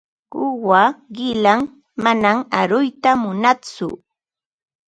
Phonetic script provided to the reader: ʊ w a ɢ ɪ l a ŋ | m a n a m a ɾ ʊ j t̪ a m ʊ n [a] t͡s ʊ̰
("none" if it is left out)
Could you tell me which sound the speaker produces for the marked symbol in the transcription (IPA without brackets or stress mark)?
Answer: a